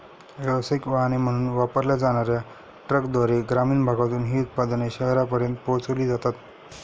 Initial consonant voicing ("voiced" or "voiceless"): voiced